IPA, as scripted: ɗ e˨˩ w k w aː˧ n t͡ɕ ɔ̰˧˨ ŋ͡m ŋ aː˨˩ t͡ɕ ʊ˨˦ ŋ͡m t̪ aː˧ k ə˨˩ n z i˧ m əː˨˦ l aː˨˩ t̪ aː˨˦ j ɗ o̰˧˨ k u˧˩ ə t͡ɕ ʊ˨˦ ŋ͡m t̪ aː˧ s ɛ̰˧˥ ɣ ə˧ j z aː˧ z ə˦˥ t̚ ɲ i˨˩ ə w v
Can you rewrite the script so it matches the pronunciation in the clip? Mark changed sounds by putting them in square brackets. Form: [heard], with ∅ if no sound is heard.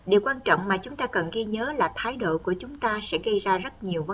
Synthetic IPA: ɗ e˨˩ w k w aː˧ n t͡ɕ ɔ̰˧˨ ŋ͡m [m] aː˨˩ t͡ɕ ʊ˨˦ ŋ͡m t̪ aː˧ k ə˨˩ n [ɣ] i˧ [ɲ] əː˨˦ l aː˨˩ [t̪ʰ] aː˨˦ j ɗ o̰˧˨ k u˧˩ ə t͡ɕ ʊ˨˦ ŋ͡m t̪ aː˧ s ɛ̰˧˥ ɣ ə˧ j z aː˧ z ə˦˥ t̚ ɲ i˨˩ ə w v